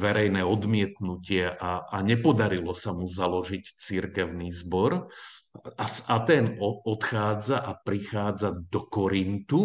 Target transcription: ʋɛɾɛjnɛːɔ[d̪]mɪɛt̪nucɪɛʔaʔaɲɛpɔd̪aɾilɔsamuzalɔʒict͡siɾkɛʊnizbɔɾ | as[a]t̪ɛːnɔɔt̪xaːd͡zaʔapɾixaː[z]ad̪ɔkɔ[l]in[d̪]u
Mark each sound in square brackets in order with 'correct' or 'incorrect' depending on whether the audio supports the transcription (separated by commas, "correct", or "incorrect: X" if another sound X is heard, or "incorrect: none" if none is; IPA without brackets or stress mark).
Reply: correct, correct, incorrect: d͡z, incorrect: ɾ, incorrect: t̪